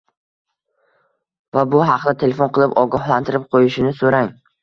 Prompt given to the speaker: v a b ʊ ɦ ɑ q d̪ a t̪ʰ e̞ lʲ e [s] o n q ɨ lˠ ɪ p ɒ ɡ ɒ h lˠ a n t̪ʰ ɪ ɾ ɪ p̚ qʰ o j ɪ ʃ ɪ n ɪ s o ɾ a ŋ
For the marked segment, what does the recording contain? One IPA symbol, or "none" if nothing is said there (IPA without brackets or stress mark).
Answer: f